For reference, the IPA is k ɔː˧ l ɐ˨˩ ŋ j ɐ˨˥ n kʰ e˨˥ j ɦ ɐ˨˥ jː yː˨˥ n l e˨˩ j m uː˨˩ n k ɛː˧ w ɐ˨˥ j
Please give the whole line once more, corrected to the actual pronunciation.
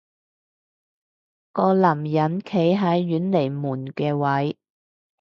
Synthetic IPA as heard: k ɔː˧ l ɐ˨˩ m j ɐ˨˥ n kʰ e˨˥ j ɦ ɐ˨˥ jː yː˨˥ n l e˨˩ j m uː˨˩ n k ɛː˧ w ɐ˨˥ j